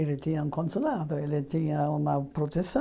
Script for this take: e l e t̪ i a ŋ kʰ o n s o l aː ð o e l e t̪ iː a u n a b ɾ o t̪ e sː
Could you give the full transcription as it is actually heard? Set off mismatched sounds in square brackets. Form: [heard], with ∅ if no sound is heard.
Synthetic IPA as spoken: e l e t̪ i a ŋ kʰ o n s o l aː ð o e l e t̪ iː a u n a [p] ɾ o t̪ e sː